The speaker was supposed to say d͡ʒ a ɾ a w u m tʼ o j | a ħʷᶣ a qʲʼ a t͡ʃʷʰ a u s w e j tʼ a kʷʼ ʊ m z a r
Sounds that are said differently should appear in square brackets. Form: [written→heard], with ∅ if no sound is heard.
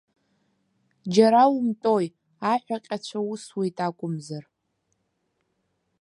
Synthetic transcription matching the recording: d͡ʒ a ɾ a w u m tʼ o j | a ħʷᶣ a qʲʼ a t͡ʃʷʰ a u s w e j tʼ a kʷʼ ʊ m z a r